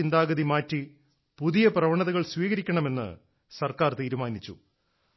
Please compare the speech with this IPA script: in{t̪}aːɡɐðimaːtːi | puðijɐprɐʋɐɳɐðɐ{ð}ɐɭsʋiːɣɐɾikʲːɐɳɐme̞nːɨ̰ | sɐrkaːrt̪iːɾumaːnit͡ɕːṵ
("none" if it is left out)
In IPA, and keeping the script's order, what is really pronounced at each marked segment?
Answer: d̪, ɣ

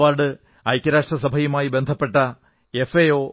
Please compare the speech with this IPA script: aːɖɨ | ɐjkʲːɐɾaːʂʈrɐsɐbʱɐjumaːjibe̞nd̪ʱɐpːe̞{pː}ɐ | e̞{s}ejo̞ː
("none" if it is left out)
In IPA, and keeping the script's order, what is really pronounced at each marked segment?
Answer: ʈː, f

